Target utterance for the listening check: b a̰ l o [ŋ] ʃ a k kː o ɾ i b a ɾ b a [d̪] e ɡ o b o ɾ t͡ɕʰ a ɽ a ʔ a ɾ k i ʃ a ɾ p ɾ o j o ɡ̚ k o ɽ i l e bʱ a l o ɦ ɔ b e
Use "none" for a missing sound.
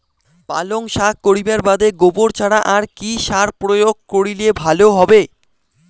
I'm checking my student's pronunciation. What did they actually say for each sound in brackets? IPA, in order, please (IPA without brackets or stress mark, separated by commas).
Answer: ŋ, d̪